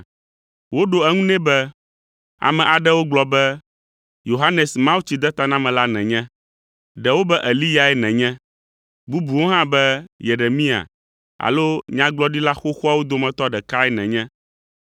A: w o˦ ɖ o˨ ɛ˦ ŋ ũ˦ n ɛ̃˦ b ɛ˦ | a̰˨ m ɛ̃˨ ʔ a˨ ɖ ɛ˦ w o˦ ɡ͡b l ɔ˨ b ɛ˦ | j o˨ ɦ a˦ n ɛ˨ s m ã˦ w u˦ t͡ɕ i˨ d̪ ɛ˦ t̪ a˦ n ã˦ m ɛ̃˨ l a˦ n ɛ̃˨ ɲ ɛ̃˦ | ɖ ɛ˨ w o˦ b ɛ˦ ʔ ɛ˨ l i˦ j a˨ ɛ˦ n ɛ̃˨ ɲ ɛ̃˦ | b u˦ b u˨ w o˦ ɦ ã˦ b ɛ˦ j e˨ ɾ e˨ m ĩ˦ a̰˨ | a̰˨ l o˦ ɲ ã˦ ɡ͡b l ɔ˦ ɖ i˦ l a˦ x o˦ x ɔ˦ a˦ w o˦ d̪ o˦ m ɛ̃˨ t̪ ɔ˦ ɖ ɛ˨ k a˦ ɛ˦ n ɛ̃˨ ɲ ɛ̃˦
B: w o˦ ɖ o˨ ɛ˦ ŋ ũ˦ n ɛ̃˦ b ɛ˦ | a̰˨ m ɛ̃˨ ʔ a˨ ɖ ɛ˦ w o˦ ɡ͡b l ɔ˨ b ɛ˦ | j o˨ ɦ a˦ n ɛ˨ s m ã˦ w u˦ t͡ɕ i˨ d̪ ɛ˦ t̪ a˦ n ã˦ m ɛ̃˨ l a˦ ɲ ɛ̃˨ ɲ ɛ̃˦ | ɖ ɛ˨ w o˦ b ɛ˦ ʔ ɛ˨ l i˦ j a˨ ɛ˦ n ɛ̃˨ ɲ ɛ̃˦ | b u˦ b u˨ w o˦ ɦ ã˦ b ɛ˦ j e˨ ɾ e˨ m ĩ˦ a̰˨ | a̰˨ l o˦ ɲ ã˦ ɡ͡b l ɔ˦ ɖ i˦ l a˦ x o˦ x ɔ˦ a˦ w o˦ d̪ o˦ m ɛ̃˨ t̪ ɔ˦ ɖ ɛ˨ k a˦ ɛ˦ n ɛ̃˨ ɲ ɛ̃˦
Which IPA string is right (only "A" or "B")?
A